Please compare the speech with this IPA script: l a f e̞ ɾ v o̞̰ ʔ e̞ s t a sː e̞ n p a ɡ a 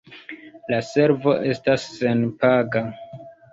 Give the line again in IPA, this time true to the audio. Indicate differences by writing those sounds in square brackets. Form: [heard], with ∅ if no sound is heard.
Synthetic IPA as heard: l a [s] e̞ ɾ v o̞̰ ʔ e̞ s t a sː e̞ n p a ɡ a